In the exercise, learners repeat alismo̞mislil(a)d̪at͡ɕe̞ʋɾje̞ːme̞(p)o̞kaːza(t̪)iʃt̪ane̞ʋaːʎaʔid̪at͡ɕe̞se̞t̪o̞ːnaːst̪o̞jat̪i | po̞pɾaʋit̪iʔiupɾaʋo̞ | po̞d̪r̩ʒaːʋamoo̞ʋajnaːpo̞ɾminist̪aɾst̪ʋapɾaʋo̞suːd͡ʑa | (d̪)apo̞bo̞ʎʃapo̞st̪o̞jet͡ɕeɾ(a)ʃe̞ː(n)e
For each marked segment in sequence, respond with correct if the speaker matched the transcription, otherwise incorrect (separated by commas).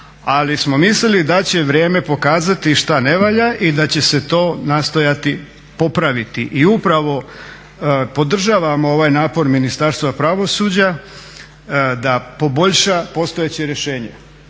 incorrect, correct, correct, correct, incorrect, incorrect